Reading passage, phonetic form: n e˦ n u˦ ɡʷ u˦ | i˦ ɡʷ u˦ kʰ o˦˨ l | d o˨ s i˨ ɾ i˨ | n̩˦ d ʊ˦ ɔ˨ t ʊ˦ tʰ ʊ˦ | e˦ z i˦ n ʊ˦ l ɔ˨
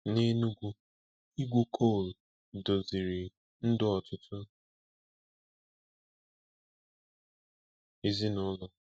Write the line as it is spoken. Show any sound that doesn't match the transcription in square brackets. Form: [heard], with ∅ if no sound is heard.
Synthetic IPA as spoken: n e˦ n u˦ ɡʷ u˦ | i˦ ɡʷ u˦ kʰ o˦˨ l | d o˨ [z] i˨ ɾ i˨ | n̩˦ d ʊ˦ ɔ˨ t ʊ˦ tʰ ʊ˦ | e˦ z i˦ n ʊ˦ l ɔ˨